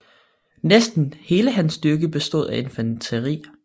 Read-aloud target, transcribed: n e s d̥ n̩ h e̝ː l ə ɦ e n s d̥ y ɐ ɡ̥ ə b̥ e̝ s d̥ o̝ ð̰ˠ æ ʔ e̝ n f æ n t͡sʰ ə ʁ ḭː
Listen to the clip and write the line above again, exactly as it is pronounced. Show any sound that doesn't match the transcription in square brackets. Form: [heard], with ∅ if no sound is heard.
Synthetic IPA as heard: n e s d̥ n̩ h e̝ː l ə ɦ [æ] n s d̥ y ɐ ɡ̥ ə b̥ e̝ s d̥ o̝ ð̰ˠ æ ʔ e̝ n f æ n t͡sʰ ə ʁ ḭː